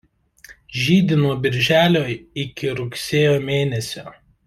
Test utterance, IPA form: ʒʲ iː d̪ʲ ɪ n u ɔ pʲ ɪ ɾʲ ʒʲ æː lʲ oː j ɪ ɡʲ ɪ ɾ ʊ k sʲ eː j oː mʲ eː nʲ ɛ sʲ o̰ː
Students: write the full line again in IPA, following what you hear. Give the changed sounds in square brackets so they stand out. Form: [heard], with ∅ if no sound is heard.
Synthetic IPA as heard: ʒʲ iː d̪ʲ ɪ n u ɔ [bʲ] ɪ ɾʲ ʒʲ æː lʲ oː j ɪ [kʲ] ɪ ɾ ʊ k sʲ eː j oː mʲ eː nʲ ɛ sʲ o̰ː

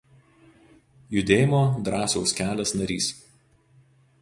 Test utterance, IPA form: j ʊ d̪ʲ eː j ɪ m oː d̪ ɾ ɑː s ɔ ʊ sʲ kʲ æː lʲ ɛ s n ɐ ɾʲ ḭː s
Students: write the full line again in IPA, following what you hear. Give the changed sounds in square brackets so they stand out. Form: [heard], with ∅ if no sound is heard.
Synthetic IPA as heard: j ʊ d̪ʲ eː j ɪ m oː d̪ ɾ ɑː s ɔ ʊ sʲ kʲ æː lʲ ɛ s n ɐ ɾʲ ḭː s

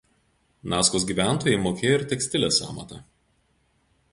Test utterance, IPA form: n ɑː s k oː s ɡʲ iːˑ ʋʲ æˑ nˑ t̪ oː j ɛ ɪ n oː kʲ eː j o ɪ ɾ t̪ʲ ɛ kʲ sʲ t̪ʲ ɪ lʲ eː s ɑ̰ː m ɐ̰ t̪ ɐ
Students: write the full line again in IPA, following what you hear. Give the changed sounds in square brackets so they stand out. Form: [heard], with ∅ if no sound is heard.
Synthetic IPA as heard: n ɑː s k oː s ɡʲ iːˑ ʋʲ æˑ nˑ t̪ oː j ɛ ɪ [m] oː kʲ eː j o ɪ ɾ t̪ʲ ɛ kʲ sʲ t̪ʲ ɪ lʲ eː s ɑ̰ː m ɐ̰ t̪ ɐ

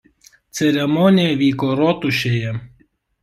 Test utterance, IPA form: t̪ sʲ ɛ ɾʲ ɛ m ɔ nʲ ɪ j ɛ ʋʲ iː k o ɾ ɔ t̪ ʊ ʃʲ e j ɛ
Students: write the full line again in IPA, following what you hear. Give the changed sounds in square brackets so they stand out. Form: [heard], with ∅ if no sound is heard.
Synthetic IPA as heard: t̪ sʲ ɛ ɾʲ ɛ m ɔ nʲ ɪ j ɛ ʋʲ iː k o ɾ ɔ t̪ ʊ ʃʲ e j ɛ

